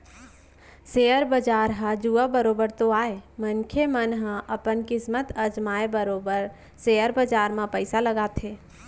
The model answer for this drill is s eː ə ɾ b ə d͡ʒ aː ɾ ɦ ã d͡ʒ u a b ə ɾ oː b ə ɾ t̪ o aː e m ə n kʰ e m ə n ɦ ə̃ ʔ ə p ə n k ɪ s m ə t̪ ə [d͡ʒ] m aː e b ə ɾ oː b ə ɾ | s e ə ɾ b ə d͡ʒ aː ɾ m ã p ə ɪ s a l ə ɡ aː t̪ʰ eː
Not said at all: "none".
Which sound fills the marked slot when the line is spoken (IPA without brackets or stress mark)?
d͡ʒ